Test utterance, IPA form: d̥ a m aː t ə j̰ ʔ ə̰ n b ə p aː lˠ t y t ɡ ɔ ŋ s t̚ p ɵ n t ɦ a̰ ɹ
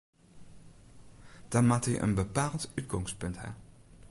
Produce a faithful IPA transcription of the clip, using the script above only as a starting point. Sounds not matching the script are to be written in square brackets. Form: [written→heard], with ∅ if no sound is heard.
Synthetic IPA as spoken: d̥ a m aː t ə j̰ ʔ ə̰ n b ə p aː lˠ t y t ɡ ɔ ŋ s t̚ p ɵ n t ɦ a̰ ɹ